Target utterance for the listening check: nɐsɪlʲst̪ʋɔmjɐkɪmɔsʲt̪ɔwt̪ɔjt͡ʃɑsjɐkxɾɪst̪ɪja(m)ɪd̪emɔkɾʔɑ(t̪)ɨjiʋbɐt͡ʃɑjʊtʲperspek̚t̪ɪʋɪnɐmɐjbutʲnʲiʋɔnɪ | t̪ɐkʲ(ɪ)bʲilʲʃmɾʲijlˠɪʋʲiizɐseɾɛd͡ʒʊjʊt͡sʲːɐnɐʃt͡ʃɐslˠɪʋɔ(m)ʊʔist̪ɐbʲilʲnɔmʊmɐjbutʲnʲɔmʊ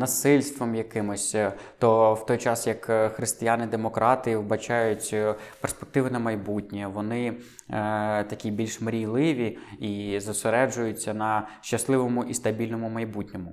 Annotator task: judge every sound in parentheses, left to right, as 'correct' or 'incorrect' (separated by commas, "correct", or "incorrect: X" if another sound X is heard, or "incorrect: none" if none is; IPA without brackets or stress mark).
incorrect: n, correct, incorrect: i, correct